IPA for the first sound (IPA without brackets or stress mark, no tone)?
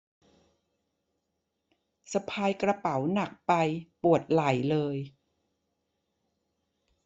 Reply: s